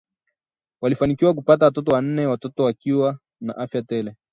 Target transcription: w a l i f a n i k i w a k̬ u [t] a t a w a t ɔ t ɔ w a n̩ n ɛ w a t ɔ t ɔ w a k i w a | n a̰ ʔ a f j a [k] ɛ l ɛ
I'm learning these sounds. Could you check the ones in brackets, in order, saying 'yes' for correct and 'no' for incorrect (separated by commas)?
no, no